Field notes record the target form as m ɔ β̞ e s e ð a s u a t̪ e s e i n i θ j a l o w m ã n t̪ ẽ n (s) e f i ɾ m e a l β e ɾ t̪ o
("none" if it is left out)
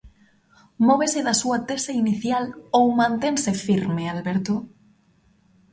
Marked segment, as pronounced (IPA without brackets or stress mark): s